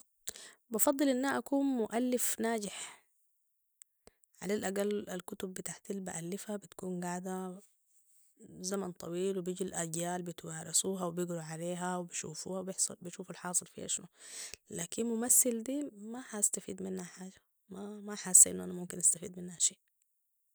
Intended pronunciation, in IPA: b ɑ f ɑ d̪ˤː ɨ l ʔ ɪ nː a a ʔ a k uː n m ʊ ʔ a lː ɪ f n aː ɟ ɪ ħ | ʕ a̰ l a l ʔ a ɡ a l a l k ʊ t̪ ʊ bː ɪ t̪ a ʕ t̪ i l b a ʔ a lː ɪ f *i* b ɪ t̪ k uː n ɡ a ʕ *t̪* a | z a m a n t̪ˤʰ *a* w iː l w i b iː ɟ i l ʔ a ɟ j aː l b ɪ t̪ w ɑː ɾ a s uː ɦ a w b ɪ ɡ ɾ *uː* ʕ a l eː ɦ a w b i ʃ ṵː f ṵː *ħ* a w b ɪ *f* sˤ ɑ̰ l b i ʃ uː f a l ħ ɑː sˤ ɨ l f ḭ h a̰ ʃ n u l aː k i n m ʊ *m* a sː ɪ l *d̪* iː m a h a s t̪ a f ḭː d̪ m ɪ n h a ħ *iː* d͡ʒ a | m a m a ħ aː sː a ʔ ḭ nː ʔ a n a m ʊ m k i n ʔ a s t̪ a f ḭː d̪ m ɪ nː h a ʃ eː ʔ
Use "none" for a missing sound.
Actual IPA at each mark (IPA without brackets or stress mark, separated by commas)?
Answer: a, d̪, ɑ, u, h, ħ, m, d̪, aː